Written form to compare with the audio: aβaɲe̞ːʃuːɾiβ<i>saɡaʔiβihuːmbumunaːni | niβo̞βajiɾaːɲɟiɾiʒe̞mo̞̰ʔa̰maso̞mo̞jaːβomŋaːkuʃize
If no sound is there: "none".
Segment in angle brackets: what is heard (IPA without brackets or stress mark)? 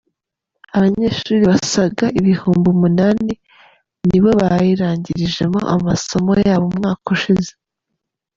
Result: a